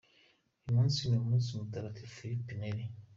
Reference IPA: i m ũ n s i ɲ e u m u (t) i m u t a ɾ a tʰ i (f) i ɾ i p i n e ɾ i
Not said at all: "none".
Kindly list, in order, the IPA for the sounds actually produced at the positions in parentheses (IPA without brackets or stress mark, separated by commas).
s, f